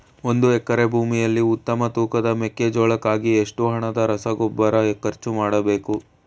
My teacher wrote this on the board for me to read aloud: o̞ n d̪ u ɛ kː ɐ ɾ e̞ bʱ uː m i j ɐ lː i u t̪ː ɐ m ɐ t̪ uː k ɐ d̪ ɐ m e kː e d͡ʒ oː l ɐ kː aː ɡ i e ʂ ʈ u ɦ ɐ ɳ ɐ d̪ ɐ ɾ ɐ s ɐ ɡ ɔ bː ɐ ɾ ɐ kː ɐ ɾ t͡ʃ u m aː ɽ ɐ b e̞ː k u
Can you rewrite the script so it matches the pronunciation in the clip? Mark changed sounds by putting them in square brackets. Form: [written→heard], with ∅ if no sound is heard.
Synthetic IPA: o̞ n d̪ u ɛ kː ɐ ɾ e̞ bʱ uː m i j ɐ lː i u t̪ː ɐ m ɐ t̪ uː k ɐ d̪ ɐ m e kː e d͡ʒ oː [l→ɭ] ɐ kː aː ɡ i e ʂ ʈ u ɦ ɐ ɳ ɐ d̪ ɐ ɾ ɐ s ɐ ɡ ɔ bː ɐ ɾ ɐ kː ɐ ɾ t͡ʃ u m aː ɽ ɐ b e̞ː k u

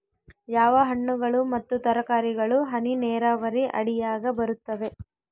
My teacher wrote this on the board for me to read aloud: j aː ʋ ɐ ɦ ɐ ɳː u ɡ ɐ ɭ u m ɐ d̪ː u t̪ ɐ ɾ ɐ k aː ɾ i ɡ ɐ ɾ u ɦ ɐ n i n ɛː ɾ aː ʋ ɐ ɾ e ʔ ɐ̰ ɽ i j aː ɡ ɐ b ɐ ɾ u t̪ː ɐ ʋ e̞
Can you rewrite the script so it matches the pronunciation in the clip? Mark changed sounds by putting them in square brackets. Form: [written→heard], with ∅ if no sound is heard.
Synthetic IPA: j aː ʋ ɐ ɦ ɐ ɳː u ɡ ɐ ɭ u m ɐ [d̪ː→t̪ː] u t̪ ɐ ɾ ɐ k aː ɾ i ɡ ɐ [ɾ→ɭ] u ɦ ɐ n i n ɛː ɾ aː ʋ ɐ ɾ [e→i] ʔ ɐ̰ ɽ i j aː ɡ ɐ b ɐ ɾ u t̪ː ɐ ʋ e̞

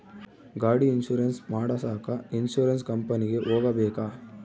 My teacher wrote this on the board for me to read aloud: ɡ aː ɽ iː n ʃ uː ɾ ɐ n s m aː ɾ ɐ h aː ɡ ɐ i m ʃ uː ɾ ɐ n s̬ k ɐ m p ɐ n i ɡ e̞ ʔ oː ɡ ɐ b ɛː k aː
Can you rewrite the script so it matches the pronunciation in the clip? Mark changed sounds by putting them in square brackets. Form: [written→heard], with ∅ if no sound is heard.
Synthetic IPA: ɡ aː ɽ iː n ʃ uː ɾ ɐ n s m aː [ɾ→ɽ] ɐ [h→s] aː [ɡ→k] ɐ i [m→n] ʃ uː ɾ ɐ n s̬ k ɐ m p ɐ n i ɡ e̞ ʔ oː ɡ ɐ b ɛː k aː

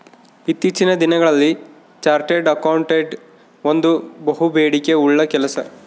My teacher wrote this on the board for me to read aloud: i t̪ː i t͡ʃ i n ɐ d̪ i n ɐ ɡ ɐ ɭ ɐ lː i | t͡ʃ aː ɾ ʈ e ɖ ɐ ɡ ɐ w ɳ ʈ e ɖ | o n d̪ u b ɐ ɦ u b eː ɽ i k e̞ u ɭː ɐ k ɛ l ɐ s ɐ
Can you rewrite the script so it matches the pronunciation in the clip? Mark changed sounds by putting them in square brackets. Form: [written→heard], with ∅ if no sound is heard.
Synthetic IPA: i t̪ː i t͡ʃ i n ɐ d̪ i n ɐ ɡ ɐ ɭ ɐ lː i | t͡ʃ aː ɾ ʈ e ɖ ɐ [ɡ→k] ɐ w ɳ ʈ e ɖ | o n d̪ u b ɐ ɦ u b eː ɽ i k e̞ u ɭː ɐ k ɛ l ɐ s ɐ

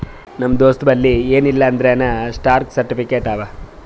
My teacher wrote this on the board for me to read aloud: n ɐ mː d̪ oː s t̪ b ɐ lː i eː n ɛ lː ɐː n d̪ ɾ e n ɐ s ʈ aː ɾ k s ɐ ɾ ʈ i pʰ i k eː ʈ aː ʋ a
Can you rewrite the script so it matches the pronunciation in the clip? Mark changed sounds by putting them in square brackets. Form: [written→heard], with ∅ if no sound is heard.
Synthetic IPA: n ɐ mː d̪ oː s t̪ b ɐ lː i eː n [ɛ→i] lː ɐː n d̪ ɾ e n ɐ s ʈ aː ɾ k s ɐ ɾ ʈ i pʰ i k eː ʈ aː ʋ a

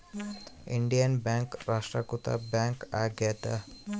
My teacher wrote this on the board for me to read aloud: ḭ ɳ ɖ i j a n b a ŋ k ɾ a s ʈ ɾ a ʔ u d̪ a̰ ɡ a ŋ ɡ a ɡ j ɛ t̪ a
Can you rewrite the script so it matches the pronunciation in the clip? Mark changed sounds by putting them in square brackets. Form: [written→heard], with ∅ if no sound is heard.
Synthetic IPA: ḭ ɳ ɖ i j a n b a ŋ k ɾ a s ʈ ɾ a [ʔ→k] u [d̪→t̪] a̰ [ɡ→b] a ŋ [ɡ→k] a ɡ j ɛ t̪ a

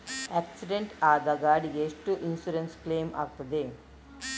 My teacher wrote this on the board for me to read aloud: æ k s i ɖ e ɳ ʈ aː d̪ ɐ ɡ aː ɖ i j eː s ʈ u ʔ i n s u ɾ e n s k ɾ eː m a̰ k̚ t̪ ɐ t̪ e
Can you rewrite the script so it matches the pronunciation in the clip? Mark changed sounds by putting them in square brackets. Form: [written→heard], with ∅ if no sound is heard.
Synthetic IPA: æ k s i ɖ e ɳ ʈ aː d̪ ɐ ɡ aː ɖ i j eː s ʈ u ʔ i n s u ɾ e n s k [ɾ→l] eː m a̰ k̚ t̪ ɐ [t̪→d̪] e

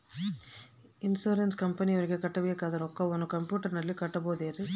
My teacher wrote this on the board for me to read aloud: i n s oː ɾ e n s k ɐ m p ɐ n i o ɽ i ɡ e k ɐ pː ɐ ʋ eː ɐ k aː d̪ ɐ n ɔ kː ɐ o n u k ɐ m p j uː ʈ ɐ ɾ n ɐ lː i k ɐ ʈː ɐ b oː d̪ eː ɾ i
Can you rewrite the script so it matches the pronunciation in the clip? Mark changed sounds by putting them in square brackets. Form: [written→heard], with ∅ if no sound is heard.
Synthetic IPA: i n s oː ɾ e n s k ɐ m p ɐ n i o [ɽ→ɾ] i ɡ e k ɐ [pː→ʈː] ɐ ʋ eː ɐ k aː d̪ ɐ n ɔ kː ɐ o n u k ɐ m p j uː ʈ ɐ ɾ n ɐ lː i k ɐ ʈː ɐ b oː d̪ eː ɾ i

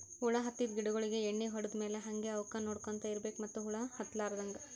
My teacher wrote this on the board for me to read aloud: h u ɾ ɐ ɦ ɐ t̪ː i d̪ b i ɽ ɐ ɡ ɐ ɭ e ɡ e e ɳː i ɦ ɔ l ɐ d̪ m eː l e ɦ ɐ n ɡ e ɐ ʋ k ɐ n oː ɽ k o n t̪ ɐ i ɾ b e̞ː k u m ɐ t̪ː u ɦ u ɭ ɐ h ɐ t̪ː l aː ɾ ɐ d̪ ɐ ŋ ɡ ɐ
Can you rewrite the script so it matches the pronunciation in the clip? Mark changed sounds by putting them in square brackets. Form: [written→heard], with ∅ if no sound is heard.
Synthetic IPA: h u [ɾ→ɭ] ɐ ɦ ɐ t̪ː i d̪ [b→ɡ] i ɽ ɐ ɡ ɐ ɭ [e→i] ɡ e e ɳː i ɦ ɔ [l→ɽ] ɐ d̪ m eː l e ɦ ɐ [n→ŋ] ɡ e ɐ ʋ k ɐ n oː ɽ k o n t̪ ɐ i ɾ b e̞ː k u m ɐ t̪ː u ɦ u ɭ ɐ h ɐ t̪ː l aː ɾ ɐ d̪ ɐ ŋ ɡ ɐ

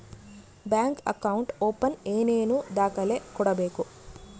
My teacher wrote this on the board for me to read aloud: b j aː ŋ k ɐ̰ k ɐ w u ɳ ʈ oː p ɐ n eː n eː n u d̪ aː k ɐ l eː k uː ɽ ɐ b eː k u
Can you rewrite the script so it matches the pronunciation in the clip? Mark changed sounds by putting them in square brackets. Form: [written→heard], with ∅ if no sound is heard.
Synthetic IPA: b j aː ŋ k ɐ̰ k ɐ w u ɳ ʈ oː p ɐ n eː n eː n u d̪ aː k ɐ l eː k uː ɽ ɐ b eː k u

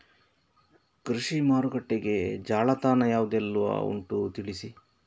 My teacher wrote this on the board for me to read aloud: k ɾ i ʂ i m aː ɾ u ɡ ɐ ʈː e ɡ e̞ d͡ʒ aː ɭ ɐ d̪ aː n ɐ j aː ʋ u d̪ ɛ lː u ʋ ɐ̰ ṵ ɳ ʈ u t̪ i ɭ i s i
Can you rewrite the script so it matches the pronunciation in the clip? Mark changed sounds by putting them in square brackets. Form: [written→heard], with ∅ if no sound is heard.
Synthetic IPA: k ɾ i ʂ i m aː ɾ u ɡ ɐ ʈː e ɡ e̞ d͡ʒ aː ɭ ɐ [d̪→t̪] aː n ɐ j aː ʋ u d̪ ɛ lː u ʋ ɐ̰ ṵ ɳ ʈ u t̪ i ɭ i s i

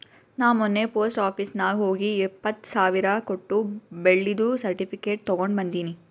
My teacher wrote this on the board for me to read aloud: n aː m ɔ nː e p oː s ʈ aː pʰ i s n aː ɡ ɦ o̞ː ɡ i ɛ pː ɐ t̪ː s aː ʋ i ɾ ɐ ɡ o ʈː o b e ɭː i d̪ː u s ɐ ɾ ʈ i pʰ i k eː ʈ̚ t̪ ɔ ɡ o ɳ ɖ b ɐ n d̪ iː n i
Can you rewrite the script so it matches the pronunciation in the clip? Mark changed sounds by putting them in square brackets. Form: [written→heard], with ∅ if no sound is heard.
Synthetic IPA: n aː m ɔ nː e p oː s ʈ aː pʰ i s n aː ɡ ɦ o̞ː ɡ i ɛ pː ɐ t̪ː s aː ʋ i ɾ ɐ [ɡ→k] o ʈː [o→u] b e ɭː i [d̪ː→d̪] u s ɐ ɾ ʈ i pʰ i k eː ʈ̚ t̪ ɔ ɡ o ɳ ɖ b ɐ n d̪ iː n i

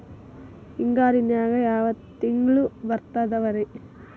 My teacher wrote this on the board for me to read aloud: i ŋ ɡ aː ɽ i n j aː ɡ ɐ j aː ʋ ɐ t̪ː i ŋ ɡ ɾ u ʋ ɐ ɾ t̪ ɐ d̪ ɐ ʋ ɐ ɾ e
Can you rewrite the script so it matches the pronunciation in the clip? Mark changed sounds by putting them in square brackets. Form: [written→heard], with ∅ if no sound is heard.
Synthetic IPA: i ŋ ɡ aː [ɽ→ɾ] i n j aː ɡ ɐ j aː ʋ ɐ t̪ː i ŋ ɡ [ɾ→ɭ] u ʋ ɐ ɾ t̪ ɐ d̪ ɐ ʋ ɐ ɾ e

